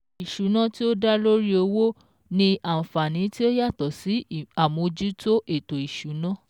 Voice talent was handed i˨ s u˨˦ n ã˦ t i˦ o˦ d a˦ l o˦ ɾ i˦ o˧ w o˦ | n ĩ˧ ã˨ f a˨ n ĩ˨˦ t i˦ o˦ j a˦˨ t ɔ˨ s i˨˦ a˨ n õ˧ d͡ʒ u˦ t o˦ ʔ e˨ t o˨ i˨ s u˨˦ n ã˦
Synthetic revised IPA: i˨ ʃ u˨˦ n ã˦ t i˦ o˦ d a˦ l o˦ ɾ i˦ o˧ w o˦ | n ĩ˧ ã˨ f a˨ n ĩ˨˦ t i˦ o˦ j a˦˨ t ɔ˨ s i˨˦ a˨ m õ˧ d͡ʒ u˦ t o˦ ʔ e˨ t o˨ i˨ ʃ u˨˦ n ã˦